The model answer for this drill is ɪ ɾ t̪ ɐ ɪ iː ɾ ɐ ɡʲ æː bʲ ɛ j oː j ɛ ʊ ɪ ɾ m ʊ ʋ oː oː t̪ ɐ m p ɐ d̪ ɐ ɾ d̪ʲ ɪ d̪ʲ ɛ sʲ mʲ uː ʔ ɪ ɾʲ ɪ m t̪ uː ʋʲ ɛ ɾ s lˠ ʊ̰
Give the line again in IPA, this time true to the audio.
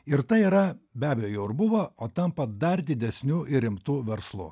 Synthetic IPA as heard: ɪ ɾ t̪ ɐ ɪ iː ɾ ɐ bʲ æː bʲ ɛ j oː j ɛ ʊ ɪ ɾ b ʊ ʋ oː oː t̪ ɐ m p ɐ d̪ ɐ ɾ d̪ʲ ɪ d̪ʲ ɛ sʲ nʲ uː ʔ ɪ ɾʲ ɪ m t̪ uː ʋʲ ɛ ɾ s lˠ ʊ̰